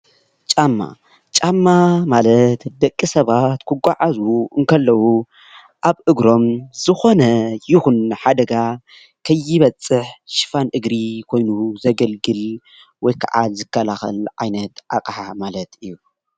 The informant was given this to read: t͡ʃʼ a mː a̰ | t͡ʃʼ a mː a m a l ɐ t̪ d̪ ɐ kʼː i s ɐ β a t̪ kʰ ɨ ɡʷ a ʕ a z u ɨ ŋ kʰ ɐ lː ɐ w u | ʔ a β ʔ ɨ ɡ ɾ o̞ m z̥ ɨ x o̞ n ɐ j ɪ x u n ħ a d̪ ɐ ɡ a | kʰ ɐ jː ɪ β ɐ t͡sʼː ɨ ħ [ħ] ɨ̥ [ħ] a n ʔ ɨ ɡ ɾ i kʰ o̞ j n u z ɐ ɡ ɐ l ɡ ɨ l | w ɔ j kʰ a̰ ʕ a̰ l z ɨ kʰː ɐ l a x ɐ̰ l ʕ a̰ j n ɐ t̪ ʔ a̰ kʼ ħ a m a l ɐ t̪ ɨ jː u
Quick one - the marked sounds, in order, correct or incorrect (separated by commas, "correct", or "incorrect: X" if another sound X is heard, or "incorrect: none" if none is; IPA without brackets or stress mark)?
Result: incorrect: ʃ, incorrect: f